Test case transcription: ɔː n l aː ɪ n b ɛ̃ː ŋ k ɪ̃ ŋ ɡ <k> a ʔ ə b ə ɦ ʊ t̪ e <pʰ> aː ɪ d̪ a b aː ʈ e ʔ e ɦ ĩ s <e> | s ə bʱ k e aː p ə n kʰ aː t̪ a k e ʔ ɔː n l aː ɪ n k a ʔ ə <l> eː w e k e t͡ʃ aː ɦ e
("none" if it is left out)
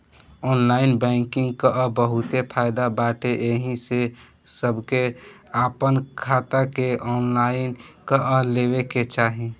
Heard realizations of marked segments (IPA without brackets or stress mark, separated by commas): k, pʰ, e, l